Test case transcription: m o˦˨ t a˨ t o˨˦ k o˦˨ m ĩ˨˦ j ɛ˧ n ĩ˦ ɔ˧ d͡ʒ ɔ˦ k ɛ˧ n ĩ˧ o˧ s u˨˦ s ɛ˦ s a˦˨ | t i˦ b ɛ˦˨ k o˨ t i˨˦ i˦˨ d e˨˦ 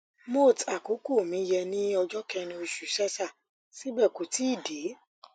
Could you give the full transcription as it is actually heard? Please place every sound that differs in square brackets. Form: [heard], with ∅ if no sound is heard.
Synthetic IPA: m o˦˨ t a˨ [k] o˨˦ k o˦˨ m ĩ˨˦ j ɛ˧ n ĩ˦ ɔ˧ d͡ʒ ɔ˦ k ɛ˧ n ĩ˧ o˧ [ʃ] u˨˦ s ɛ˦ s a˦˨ | [s] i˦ b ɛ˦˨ k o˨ t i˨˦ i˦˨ d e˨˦